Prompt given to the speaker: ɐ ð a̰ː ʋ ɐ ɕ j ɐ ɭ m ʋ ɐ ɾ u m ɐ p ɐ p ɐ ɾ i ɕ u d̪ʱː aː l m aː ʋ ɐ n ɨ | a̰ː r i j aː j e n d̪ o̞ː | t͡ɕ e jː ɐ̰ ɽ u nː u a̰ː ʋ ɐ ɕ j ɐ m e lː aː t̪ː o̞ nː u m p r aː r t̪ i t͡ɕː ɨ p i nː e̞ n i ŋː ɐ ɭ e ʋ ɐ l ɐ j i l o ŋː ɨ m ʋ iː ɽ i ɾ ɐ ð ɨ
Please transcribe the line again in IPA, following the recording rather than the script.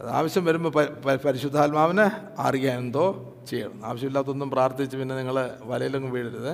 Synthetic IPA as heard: ɐ ð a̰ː ʋ ɐ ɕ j ɐ m ʋ ɐ ɾ u m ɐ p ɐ p ɐ ɾ i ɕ u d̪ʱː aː l m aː ʋ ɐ n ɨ | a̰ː r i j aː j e n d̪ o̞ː | t͡ɕ e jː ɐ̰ ɽ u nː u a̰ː ʋ ɐ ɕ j ɐ m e lː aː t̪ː o̞ nː u m p r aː r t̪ i t͡ɕː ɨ p i nː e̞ n i ŋː ɐ ɭ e ʋ ɐ l ɐ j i l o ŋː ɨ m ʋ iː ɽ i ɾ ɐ ð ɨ